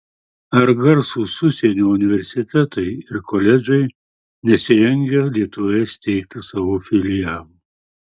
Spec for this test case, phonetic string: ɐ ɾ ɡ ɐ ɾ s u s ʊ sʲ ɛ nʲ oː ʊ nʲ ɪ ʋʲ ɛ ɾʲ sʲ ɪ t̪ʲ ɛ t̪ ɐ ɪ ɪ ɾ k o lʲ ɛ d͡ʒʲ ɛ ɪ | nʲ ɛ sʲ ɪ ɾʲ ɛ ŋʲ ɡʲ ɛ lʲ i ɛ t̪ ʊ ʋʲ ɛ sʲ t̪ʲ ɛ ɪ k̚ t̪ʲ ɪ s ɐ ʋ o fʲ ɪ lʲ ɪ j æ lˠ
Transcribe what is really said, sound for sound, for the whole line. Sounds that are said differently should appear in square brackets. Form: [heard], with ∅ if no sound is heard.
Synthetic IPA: ɐ ɾ ɡ ɐ ɾ s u s ʊ sʲ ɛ nʲ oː ʊ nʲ ɪ ʋʲ ɛ ɾʲ sʲ ɪ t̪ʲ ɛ t̪ ɐ ɪ ɪ ɾ k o lʲ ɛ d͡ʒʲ ɛ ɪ | nʲ ɛ sʲ ɪ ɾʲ ɛ ŋʲ ɡʲ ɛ lʲ i ɛ t̪ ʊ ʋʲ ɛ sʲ t̪ʲ ɛ ɪ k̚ t̪ʲ ɪ s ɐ ʋ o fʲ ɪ lʲ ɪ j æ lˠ